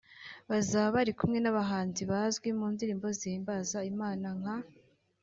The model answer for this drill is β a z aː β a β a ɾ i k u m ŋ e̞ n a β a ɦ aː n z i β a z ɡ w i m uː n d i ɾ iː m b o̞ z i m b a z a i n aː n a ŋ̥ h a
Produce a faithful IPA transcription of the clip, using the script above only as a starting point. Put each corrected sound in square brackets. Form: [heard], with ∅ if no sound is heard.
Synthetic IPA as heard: β a z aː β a β a ɾ i k u m ŋ e̞ n a β a ɦ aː n z i β a z ɡ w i m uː n d i ɾ iː m b o̞ z i m b a z a i [m] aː n a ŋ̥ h a